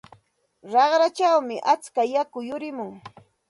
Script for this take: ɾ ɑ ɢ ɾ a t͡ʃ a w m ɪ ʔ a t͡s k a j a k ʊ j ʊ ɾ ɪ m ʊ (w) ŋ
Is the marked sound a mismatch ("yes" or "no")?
yes